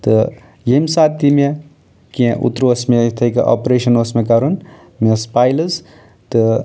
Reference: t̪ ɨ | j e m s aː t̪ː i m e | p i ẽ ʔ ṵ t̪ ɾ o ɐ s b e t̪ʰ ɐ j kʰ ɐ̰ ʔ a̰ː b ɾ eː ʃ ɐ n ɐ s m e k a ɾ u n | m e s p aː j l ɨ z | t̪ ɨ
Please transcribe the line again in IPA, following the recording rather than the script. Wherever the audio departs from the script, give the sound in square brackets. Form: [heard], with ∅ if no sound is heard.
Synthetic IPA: t̪ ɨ | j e m s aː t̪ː i m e | [k] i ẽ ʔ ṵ t̪ ɾ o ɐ s [m] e t̪ʰ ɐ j [k] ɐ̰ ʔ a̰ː [p] ɾ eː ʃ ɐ n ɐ s m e k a ɾ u n | m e s p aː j l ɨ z | t̪ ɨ